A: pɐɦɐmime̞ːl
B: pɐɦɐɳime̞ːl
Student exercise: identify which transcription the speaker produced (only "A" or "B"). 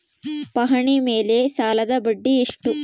B